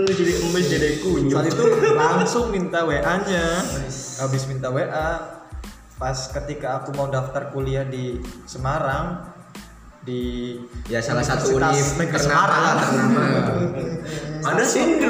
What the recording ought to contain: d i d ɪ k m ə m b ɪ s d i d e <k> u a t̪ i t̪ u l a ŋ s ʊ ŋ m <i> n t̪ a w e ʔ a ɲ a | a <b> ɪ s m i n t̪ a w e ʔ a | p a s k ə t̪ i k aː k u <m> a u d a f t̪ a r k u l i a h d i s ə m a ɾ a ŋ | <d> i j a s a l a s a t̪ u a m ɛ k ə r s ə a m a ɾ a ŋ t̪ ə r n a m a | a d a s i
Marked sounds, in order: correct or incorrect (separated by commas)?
correct, correct, correct, correct, correct